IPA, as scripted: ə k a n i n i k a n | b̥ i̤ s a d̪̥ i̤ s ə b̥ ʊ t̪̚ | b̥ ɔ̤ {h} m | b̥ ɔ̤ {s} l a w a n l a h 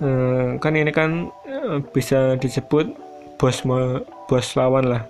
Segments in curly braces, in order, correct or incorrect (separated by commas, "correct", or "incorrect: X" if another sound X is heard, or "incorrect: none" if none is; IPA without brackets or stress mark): incorrect: s, correct